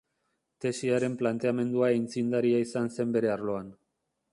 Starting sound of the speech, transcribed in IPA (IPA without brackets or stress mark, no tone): t̪